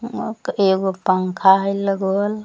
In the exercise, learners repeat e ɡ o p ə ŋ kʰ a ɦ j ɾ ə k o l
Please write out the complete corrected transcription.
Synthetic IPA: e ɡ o p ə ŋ kʰ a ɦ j l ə ɡ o l